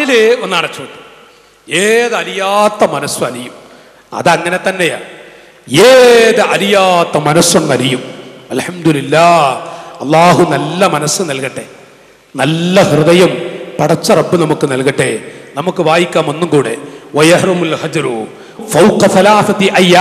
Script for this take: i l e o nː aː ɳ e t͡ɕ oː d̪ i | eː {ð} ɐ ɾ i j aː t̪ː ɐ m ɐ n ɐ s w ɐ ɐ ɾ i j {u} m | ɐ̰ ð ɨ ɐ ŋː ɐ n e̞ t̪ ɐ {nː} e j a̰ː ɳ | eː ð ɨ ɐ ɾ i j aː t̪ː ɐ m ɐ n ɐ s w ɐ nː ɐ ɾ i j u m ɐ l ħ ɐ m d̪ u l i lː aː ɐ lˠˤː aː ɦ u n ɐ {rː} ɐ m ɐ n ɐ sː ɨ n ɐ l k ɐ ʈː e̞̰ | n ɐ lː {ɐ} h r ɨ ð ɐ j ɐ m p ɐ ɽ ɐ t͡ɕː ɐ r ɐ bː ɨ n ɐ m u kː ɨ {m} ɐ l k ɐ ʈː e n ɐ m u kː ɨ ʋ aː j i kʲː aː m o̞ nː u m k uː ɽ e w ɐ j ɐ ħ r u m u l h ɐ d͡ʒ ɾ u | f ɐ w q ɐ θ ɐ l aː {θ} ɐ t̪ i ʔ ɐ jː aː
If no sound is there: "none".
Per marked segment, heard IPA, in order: ð, u, nː, lː, ɐ, n, θ

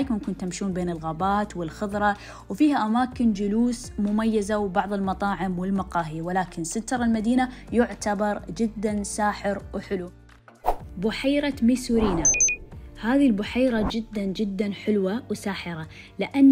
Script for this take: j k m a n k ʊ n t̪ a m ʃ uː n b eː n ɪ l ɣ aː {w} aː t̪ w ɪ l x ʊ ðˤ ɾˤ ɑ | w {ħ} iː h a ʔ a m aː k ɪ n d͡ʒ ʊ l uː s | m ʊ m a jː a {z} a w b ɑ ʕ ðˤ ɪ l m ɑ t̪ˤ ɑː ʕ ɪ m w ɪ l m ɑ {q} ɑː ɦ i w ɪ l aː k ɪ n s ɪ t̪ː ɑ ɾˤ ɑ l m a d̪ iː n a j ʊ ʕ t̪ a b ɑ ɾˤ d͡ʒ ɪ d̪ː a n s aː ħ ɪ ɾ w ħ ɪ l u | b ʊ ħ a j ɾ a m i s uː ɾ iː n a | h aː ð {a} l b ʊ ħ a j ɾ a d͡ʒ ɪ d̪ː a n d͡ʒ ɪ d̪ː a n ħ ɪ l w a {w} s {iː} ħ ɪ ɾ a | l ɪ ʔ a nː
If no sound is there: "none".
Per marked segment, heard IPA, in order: b, f, z, q, i, w, aː

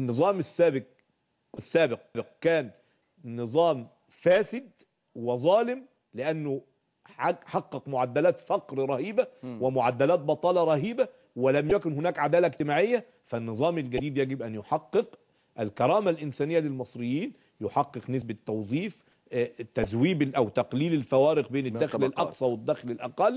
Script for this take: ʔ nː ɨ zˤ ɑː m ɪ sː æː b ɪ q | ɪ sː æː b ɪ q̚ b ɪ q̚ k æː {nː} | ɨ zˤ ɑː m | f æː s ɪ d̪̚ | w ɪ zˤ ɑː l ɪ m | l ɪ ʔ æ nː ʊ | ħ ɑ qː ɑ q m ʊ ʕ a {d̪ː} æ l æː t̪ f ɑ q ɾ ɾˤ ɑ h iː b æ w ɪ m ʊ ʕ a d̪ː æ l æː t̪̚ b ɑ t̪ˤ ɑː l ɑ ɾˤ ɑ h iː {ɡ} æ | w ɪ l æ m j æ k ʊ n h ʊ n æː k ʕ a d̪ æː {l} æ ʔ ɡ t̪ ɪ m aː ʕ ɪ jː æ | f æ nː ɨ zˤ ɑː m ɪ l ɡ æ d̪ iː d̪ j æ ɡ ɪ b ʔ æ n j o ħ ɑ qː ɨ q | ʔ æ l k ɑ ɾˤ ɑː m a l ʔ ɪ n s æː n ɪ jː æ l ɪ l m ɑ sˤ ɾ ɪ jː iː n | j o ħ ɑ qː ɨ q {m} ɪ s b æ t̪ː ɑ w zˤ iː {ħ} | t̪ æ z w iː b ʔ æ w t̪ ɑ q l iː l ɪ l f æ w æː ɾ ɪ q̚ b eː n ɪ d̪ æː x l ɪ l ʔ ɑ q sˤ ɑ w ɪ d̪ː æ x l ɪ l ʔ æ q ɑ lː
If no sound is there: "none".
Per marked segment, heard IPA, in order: nː, d̪ː, b, l, n, f

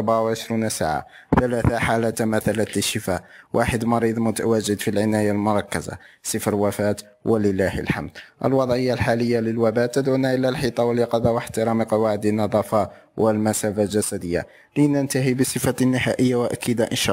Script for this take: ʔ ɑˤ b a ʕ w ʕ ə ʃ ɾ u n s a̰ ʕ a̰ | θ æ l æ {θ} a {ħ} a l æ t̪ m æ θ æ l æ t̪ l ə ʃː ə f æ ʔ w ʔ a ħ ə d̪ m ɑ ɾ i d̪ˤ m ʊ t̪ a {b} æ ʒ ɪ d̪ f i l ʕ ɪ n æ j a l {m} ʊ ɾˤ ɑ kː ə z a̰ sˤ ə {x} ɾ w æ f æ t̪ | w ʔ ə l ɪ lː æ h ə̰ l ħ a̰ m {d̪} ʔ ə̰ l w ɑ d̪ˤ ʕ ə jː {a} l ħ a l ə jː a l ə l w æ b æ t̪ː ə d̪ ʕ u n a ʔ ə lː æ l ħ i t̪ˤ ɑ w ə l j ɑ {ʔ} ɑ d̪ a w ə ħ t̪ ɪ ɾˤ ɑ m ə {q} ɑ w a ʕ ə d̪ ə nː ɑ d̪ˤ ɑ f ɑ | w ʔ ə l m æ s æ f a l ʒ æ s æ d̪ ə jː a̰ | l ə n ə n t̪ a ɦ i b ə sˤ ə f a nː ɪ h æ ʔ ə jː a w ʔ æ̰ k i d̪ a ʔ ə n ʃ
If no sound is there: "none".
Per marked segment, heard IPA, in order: θ, ħ, w, m, f, d̪, a, q, q

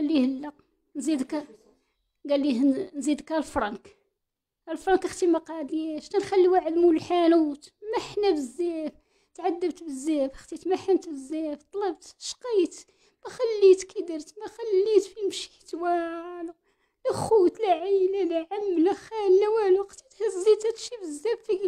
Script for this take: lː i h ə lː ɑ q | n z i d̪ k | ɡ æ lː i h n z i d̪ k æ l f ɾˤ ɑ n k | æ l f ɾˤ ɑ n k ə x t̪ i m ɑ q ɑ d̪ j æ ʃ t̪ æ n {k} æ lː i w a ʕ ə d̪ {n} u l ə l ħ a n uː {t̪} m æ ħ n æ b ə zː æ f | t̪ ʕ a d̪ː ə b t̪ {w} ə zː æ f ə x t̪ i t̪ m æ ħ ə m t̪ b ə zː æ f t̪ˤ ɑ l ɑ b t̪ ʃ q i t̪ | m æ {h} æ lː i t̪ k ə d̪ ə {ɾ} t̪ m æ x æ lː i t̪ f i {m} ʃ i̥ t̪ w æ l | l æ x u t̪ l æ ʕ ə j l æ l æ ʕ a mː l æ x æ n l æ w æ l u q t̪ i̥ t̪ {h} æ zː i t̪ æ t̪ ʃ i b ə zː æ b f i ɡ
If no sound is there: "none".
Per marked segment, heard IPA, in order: x, m, t̪, b, x, ɾ, m, h

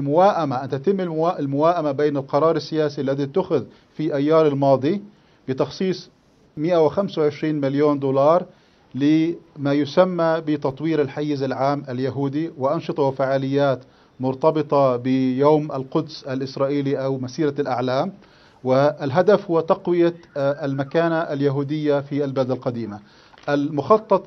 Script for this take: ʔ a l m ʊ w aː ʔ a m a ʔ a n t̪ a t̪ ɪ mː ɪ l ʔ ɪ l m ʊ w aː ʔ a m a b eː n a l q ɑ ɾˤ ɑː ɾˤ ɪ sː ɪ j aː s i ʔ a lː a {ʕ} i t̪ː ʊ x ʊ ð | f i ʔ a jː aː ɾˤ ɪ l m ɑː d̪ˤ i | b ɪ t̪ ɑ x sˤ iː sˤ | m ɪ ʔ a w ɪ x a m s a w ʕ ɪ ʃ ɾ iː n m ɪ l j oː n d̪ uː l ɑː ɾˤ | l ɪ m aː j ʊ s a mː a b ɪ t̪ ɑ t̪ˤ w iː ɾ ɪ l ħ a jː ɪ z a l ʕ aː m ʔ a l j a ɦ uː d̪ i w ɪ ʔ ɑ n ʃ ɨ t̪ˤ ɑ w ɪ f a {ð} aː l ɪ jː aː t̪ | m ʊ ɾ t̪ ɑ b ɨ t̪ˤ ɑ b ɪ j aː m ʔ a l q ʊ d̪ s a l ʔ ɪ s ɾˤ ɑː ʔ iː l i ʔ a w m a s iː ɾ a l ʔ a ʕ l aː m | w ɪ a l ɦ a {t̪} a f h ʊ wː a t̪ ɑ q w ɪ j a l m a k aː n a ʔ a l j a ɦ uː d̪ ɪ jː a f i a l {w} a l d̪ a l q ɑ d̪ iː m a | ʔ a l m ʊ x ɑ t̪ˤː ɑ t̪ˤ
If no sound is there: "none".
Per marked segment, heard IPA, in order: ð, ʕ, d̪, b

